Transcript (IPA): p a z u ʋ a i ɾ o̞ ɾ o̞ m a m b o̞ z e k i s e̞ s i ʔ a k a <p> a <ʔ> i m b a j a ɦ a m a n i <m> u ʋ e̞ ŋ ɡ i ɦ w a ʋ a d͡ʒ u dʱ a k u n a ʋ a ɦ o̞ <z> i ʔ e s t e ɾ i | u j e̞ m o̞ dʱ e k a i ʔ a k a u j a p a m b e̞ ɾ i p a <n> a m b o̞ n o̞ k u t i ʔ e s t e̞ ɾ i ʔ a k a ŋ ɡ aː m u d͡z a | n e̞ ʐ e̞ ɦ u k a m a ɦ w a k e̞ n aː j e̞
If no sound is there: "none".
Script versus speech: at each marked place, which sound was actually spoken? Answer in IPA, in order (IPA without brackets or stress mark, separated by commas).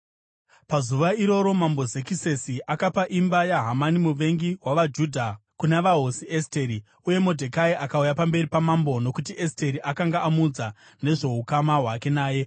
p, ʔ, m, s, m